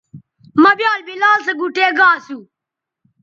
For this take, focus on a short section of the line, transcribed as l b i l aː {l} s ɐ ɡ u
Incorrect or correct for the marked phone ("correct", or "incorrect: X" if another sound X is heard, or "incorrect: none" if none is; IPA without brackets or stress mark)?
correct